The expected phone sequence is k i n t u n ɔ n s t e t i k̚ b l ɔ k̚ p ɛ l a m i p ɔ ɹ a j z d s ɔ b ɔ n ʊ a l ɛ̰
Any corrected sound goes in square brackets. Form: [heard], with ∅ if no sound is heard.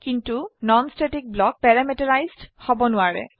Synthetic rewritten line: k i n t u n ɔ n s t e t i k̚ b l ɔ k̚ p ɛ [ɹ] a m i [t] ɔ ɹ a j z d [h] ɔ b ɔ n ʊ a [ɹ] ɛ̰